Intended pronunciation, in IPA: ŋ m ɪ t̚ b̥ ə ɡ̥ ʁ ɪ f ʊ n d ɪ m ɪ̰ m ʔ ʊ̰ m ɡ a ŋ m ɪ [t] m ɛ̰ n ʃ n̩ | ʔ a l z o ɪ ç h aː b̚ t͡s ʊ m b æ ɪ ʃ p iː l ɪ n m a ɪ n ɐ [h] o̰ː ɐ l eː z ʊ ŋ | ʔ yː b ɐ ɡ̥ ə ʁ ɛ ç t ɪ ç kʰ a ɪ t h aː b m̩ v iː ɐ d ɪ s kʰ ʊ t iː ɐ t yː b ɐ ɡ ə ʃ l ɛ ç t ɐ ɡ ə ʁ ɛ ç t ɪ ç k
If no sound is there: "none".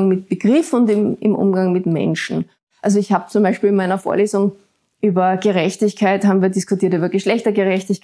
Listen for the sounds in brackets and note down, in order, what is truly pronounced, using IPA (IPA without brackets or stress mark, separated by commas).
t, f